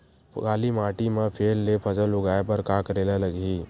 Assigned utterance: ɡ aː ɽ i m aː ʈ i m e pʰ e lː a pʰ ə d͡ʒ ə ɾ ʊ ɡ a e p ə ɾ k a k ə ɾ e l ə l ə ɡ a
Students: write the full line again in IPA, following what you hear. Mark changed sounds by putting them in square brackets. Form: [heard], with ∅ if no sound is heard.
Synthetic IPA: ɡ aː [l] i m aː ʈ i m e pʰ e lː [e] pʰ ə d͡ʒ ə [l] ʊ ɡ a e p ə ɾ k a k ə ɾ e l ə l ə ɡ [i]